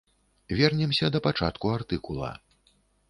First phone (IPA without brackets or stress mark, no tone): vʲ